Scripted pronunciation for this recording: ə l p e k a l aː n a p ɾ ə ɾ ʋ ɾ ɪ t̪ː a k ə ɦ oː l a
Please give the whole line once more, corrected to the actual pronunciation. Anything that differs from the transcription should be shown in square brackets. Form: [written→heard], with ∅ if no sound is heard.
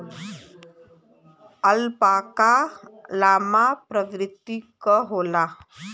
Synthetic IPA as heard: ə l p [e→a] k a l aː [n→m] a p ɾ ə [ɾ→∅] ʋ ɾ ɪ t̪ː [a→i] k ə ɦ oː l a